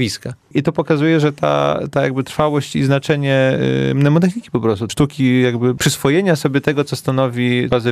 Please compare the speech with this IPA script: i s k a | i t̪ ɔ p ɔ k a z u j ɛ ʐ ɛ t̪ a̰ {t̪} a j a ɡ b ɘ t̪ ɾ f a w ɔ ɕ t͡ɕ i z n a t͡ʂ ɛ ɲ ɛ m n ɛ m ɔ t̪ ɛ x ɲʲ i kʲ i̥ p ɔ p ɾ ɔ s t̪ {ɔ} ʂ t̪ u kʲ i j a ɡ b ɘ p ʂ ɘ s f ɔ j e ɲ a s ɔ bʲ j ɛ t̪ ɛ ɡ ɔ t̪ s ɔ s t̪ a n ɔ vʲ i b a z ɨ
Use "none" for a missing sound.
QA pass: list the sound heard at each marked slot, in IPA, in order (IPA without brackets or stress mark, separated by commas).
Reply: t̪, u